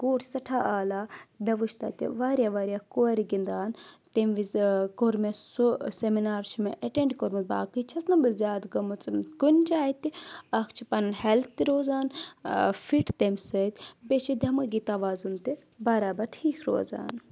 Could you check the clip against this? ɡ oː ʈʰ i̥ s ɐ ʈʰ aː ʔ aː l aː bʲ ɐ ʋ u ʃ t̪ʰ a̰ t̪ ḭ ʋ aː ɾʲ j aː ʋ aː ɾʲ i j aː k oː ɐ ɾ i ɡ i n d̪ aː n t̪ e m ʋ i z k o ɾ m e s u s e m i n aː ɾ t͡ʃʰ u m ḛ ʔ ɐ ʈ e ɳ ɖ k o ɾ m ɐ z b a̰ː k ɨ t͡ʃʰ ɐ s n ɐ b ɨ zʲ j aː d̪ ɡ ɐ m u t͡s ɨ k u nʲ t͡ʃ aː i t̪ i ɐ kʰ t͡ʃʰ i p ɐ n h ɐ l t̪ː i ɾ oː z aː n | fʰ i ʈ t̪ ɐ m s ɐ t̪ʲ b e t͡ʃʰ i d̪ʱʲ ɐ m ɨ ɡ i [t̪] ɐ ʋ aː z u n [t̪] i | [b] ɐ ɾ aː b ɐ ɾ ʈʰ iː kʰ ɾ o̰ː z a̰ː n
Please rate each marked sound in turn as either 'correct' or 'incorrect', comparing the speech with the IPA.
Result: correct, correct, correct

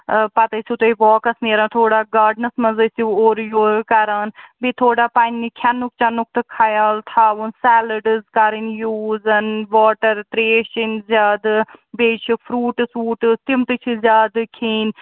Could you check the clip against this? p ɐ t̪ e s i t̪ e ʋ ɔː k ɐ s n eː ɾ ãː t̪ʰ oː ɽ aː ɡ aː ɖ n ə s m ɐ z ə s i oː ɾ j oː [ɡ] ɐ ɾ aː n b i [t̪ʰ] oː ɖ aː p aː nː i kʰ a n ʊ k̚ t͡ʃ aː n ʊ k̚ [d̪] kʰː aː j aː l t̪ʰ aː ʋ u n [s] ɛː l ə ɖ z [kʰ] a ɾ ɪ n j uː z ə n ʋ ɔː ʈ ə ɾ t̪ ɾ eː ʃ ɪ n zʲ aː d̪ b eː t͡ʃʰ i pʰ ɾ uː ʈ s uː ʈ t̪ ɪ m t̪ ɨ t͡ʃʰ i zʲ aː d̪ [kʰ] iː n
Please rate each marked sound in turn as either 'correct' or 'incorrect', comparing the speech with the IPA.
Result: incorrect, correct, incorrect, correct, incorrect, correct

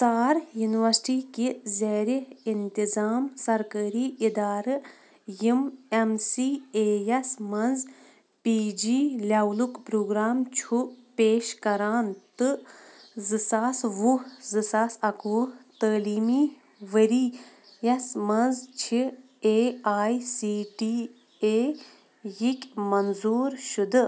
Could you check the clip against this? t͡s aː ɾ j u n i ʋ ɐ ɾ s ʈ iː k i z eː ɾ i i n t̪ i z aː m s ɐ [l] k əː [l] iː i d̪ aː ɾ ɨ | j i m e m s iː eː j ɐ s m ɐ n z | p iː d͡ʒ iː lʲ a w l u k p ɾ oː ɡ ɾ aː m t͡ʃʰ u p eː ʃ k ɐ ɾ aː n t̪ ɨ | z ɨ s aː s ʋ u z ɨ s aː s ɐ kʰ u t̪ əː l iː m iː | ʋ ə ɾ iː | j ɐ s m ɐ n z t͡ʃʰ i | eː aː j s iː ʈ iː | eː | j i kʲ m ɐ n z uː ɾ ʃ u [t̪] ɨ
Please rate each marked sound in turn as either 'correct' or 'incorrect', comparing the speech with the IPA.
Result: incorrect, incorrect, incorrect

